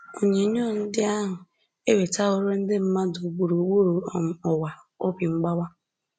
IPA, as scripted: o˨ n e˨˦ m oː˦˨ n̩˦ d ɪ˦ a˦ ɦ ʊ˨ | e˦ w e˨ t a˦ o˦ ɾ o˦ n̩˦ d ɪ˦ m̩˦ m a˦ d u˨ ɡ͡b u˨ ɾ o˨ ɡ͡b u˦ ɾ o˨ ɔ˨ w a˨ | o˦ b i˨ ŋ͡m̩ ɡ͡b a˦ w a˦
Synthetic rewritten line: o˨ ɲ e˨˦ ɲ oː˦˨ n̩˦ d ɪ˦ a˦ ɦ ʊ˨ | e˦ w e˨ t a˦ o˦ ɾ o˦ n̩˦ d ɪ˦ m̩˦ m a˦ d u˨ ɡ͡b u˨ ɾ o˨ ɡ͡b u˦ ɾ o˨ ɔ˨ w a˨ | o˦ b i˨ ŋ͡m̩ ɡ͡b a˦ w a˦